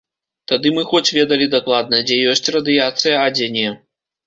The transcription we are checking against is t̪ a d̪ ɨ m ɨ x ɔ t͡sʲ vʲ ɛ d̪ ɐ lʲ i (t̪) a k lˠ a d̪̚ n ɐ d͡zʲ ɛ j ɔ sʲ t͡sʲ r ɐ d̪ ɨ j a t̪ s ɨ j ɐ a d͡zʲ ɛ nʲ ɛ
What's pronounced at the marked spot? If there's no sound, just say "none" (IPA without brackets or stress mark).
d̪